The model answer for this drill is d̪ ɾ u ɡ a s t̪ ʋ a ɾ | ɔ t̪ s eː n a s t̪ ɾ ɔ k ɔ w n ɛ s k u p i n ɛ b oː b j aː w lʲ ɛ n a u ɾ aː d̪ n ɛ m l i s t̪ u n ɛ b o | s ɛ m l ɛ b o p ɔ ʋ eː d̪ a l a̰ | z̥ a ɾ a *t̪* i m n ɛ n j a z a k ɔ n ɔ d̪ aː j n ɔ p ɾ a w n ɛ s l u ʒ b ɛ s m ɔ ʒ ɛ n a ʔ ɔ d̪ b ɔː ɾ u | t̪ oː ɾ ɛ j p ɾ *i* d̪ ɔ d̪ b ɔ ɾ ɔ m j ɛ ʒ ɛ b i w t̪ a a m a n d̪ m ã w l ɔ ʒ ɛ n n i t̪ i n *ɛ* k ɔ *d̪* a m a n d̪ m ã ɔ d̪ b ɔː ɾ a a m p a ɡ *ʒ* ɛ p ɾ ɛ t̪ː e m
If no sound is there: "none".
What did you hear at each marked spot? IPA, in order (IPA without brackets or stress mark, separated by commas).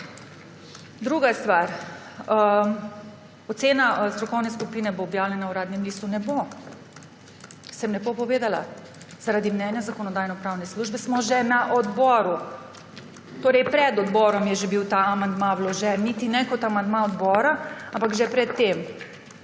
d̪, ɛ, ɛ, t̪, ʒ